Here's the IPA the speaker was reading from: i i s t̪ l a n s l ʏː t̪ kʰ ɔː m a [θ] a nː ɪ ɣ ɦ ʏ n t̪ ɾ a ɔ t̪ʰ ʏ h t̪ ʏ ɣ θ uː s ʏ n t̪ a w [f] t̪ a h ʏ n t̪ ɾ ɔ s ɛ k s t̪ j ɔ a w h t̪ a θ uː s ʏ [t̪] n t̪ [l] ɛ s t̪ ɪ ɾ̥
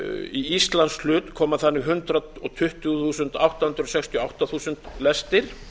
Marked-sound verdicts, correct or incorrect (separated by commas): correct, incorrect, incorrect, correct